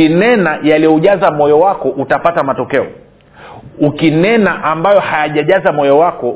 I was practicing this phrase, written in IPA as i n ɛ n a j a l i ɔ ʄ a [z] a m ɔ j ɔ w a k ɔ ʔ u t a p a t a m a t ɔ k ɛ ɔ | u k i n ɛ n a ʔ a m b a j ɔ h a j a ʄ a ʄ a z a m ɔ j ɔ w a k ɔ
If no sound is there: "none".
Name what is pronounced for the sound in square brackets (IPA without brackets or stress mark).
z